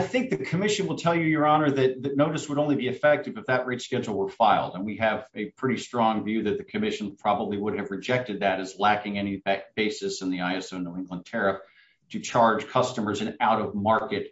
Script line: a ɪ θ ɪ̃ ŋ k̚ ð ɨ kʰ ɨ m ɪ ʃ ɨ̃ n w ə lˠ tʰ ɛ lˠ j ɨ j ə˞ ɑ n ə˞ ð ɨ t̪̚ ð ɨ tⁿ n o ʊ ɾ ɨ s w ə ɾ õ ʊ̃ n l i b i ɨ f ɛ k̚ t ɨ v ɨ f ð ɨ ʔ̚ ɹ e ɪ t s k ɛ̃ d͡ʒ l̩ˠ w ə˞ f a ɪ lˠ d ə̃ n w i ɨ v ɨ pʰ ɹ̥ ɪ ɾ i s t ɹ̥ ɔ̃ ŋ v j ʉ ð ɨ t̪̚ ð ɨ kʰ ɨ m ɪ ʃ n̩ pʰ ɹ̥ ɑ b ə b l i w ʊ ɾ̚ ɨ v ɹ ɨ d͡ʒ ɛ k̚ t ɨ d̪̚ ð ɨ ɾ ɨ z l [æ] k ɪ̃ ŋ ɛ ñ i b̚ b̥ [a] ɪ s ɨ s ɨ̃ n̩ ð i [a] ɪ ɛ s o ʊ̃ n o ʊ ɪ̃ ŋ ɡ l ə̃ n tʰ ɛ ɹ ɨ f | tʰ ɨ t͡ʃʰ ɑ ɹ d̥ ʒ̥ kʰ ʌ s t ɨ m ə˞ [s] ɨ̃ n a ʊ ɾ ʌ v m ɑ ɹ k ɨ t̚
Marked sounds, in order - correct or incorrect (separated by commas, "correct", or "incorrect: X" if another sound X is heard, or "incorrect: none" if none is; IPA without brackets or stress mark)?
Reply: correct, incorrect: e, correct, incorrect: z